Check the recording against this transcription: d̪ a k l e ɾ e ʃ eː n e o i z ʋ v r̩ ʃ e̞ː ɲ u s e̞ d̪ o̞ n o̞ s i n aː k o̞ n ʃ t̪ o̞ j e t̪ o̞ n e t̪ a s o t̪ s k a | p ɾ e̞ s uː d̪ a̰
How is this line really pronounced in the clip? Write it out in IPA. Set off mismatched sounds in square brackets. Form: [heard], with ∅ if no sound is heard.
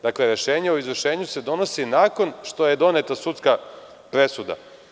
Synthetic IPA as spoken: d̪ a k l e ɾ e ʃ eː [ɲ] e o i z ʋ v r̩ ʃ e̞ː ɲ u s e̞ d̪ o̞ n o̞ s i n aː k o̞ n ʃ t̪ o̞ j e [d̪] o̞ n e t̪ a s [u] t̪ s k a | p ɾ e̞ s [u] d̪ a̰